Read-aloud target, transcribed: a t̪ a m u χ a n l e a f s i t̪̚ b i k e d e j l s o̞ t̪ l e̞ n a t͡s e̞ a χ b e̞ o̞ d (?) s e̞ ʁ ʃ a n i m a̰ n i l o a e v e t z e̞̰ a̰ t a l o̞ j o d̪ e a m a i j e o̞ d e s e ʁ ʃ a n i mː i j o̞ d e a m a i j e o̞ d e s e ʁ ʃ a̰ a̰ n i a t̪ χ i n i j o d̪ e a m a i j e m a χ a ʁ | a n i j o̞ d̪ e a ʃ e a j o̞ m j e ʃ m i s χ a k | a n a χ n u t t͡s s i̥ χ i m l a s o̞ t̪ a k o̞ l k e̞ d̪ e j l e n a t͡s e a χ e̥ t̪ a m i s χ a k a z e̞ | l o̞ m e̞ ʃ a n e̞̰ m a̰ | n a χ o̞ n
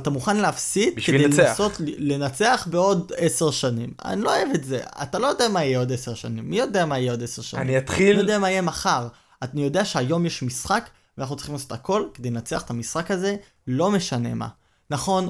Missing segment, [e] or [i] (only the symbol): e